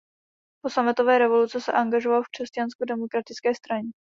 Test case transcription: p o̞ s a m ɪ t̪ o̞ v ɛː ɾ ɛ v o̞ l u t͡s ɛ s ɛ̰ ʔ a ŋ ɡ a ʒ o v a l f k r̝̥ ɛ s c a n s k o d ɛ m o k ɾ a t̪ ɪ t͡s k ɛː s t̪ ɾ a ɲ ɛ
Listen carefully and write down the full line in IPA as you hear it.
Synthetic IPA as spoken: p o̞ s a m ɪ t̪ o̞ v ɛː ɾ ɛ v o̞ l u t͡s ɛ s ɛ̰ ʔ a ŋ ɡ a ʒ o v a l f k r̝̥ ɛ s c a n s k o d ɛ m o k ɾ a t̪ ɪ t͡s k ɛː s t̪ ɾ a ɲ ɛ

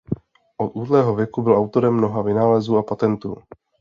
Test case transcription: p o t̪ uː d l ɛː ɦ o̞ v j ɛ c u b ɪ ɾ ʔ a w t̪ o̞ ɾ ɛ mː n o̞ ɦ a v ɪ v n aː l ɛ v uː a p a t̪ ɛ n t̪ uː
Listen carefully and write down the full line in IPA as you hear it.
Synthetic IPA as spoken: ʔ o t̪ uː d l ɛː ɦ o̞ v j ɛ k u b ɪ l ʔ a w t̪ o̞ ɾ ɛ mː n o̞ ɦ a v ɪ n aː l ɛ z uː a p a t̪ ɛ n t̪ uː

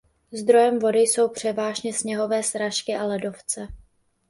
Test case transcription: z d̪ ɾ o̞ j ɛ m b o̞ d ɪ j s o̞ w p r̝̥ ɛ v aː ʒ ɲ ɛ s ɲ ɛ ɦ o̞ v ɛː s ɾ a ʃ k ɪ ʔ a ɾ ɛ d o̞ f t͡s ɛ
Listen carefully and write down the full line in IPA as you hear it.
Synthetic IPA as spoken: z d̪ ɾ o̞ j ɛ m v o̞ d ɪ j s o̞ w p r̝̥ ɛ v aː ʒ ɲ ɛ s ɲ ɛ ɦ o̞ v ɛː s ɾ a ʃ k ɪ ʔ a l ɛ d o̞ f t͡s ɛ

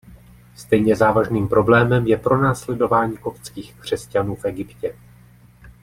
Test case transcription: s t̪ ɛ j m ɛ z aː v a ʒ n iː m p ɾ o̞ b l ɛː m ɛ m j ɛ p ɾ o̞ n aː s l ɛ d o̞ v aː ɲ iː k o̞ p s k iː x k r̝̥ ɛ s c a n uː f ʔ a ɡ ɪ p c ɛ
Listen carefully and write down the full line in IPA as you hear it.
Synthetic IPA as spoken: s t̪ ɛ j ɲ ɛ z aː v a ʒ n iː m p ɾ o̞ b l ɛː m ɛ m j ɛ p ɾ o̞ n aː s l ɛ d o̞ v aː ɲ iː k o̞ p t͡s k iː x k r̝̥ ɛ s c a n uː f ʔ ɛ ɡ ɪ p c ɛ

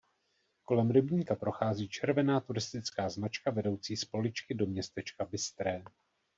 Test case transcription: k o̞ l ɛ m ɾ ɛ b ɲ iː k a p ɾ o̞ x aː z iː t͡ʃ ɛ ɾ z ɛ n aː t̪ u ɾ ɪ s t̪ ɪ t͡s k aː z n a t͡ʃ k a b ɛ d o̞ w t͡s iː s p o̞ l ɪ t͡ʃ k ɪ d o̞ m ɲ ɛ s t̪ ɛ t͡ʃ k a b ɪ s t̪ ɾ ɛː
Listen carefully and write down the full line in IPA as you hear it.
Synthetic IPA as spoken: k o̞ l ɛ m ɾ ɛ b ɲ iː k a p ɾ o̞ x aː z iː t͡ʃ ɛ ɾ v ɛ n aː t̪ u ɾ ɪ s t̪ ɪ t͡s k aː z n a t͡ʃ k a v ɛ d o̞ w t͡s iː s p o̞ l ɪ t͡ʃ k ɪ d o̞ m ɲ ɛ s t̪ ɛ t͡ʃ k a b ɪ s t̪ ɾ ɛː

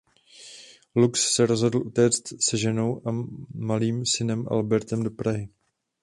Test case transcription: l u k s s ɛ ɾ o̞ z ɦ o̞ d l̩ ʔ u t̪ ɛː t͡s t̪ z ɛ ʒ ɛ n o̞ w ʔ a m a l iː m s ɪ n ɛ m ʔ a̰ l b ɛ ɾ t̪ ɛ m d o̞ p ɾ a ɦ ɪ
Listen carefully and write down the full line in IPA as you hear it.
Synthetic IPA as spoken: l u k s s ɛ ɾ o̞ z ɦ o̞ d l̩ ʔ u t̪ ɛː t͡s t̪ s ɛ ʒ ɛ n o̞ w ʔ a m a l iː m s ɪ n ɛ m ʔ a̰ l b ɛ ɾ t̪ ɛ m d o̞ p ɾ a ɦ ɪ

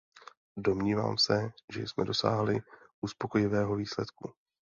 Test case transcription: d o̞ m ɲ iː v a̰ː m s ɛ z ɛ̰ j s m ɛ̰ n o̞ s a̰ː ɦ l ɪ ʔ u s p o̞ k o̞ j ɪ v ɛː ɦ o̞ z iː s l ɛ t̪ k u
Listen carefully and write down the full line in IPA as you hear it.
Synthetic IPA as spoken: d o̞ m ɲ iː v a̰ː m s ɛ ʒ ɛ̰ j s m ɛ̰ d o̞ s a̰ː ɦ l ɪ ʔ u s p o̞ k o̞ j ɪ v ɛː ɦ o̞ v iː s l ɛ t̪ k u

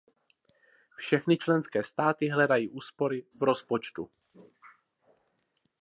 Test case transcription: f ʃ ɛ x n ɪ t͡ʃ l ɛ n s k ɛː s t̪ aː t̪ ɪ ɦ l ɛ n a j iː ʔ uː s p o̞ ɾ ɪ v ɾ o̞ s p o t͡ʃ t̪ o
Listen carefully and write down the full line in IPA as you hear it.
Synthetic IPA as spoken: f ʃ ɛ x n ɪ t͡ʃ l ɛ n s k ɛː s t̪ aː t̪ ɪ ɦ l ɛ d a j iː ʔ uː s p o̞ ɾ ɪ v ɾ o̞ s p o t͡ʃ t̪ u

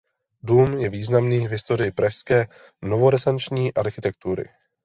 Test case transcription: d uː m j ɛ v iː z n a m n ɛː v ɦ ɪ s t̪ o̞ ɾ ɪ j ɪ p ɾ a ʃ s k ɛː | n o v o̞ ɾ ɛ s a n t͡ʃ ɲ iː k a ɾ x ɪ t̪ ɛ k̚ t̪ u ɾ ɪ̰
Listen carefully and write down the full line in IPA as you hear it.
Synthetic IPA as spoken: d uː m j ɛ v iː z n a m n iː v ɦ ɪ s t̪ o̞ ɾ ɪ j ɪ p ɾ a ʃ s k ɛː | n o v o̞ ɾ ɛ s a n t͡ʃ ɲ iː ʔ a ɾ x ɪ t̪ ɛ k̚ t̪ u ɾ ɪ̰

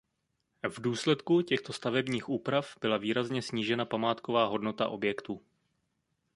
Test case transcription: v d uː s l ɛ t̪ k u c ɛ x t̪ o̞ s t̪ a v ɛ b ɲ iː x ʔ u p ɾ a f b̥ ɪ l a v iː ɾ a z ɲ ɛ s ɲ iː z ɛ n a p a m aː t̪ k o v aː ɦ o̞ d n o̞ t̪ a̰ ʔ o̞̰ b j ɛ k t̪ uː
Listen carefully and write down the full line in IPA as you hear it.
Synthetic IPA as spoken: v d uː s l ɛ t̪ k u c ɛ x t̪ o̞ s t̪ a v ɛ b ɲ iː x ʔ uː p ɾ a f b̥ ɪ l a v iː ɾ a z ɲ ɛ s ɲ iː ʒ ɛ n a p a m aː t̪ k o v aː ɦ o̞ d n o̞ t̪ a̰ ʔ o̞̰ b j ɛ k t̪ uː

